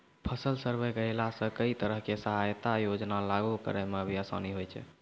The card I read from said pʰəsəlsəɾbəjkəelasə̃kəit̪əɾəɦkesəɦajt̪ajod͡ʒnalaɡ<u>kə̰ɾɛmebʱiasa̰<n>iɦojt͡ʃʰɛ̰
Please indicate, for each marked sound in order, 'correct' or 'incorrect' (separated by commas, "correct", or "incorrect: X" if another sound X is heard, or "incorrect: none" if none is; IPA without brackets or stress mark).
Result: correct, correct